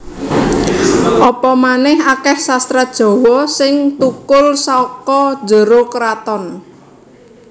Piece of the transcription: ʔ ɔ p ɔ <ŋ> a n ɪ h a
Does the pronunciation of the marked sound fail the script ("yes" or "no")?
yes